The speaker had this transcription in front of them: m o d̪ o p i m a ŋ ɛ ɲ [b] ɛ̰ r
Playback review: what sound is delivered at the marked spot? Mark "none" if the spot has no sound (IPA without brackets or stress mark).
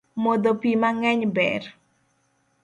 b